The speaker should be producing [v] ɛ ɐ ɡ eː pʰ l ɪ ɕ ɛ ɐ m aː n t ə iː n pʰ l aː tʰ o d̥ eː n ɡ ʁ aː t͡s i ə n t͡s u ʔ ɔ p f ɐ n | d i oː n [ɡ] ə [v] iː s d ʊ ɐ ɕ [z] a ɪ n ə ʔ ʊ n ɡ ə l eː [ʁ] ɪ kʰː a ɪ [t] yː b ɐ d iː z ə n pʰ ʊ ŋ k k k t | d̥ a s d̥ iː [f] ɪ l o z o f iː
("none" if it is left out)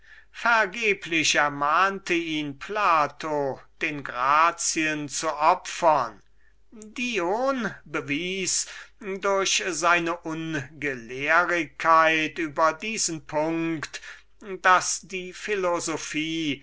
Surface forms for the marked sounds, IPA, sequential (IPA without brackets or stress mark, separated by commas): f, b, v, z, ʁ, t, f